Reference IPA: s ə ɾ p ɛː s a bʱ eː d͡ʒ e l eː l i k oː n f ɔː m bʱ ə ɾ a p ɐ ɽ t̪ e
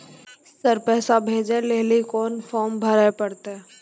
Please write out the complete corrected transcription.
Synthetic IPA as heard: s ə ɾ p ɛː s a bʱ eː d͡ʒ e l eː l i k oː n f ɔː m bʱ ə ɾ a p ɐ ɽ t̪ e